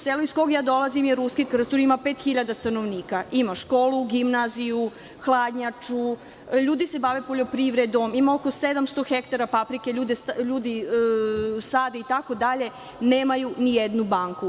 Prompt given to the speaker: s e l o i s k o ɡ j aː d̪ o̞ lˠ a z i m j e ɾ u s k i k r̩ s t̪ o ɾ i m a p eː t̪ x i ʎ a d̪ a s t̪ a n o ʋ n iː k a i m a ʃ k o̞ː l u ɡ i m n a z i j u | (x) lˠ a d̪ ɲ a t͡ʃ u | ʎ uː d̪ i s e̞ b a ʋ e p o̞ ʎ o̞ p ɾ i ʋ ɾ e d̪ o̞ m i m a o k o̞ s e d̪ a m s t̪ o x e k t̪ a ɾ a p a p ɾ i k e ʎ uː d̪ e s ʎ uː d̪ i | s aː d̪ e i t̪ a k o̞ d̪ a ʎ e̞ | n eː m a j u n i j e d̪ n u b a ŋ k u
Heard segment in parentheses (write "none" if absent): x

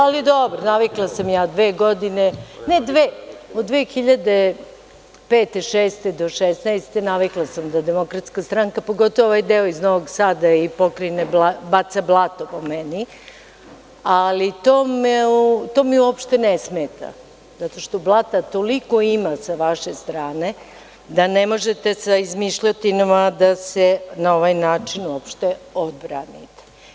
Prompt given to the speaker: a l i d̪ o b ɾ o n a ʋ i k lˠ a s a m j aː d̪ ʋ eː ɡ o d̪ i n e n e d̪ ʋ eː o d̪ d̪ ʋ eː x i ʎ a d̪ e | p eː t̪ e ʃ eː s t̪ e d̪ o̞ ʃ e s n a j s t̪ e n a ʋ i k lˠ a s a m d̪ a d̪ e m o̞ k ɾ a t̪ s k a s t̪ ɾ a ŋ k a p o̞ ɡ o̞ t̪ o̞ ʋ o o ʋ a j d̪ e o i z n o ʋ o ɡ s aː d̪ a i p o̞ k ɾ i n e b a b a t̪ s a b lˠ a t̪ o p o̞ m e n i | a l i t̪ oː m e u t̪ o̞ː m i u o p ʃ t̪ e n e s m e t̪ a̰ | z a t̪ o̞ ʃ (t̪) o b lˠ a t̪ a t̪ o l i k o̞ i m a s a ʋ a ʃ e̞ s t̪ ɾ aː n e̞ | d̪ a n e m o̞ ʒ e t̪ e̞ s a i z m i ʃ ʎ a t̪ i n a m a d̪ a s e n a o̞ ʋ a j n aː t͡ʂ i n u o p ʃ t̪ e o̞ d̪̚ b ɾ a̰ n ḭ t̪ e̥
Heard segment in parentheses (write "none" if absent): t̪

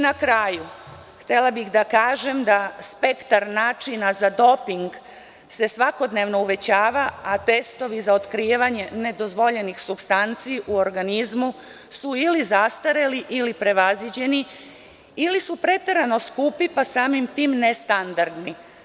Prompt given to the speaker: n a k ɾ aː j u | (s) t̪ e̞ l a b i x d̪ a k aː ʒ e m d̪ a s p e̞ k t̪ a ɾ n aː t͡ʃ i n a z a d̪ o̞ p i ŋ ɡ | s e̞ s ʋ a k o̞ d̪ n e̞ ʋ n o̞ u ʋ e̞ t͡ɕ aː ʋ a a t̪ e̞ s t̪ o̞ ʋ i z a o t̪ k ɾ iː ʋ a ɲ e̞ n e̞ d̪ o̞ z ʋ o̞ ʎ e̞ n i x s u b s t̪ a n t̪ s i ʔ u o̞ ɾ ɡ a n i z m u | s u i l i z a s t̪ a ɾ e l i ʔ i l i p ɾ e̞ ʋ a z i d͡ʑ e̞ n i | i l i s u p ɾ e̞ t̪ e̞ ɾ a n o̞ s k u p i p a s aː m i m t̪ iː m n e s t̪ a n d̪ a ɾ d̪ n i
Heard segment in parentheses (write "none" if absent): x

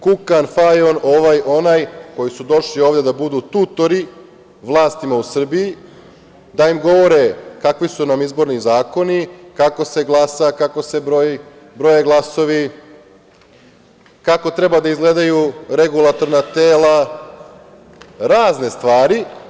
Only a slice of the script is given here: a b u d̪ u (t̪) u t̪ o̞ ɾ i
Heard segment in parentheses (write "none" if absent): t̪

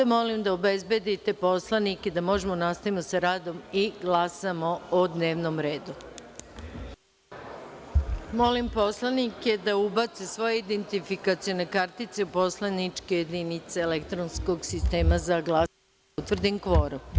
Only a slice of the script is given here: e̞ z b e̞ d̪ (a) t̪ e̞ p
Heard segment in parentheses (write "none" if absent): i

